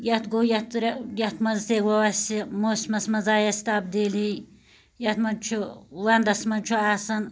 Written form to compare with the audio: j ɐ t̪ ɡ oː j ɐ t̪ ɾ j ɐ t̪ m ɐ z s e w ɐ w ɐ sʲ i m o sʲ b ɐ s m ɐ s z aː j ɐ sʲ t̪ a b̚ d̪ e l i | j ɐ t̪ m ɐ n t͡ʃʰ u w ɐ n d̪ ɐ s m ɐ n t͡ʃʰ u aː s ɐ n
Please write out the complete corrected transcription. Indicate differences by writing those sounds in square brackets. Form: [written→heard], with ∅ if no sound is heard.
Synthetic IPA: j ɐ t̪ ɡ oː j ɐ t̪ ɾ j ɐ t̪ m ɐ z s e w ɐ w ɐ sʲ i m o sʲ [b→m] ɐ s m ɐ [s→∅] z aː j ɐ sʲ t̪ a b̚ d̪ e l i | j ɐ t̪ m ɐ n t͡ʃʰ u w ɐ n d̪ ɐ s m ɐ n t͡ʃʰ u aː s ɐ n